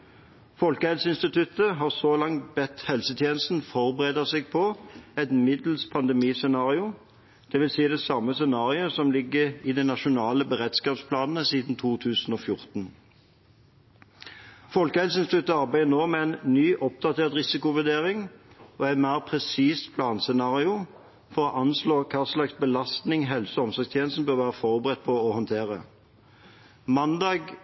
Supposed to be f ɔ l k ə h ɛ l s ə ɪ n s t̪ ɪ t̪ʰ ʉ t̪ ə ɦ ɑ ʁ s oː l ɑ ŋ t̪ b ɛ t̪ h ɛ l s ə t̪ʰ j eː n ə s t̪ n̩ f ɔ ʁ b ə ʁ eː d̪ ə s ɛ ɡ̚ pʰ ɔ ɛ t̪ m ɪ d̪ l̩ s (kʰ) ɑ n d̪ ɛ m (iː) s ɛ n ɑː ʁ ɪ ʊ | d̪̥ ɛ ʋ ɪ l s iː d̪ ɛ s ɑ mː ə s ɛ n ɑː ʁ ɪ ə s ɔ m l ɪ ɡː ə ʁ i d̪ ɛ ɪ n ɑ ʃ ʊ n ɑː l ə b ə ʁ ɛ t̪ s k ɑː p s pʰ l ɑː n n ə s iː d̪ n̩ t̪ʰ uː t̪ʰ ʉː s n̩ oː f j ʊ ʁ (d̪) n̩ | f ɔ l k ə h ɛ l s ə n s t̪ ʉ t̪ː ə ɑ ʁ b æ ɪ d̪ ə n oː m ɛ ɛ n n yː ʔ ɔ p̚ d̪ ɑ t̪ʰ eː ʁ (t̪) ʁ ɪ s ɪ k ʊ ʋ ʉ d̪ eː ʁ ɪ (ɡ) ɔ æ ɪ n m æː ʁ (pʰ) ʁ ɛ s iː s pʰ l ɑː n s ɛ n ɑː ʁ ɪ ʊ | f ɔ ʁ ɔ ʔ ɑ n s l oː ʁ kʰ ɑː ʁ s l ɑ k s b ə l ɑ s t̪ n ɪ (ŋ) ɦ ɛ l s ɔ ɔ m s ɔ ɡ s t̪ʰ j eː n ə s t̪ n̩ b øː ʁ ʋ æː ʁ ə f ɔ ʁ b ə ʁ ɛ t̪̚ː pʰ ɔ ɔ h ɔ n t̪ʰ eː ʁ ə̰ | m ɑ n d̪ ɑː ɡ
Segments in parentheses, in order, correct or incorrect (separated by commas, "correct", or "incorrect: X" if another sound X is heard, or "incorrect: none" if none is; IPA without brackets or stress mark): incorrect: pʰ, correct, incorrect: t̪, correct, incorrect: ŋ, correct, correct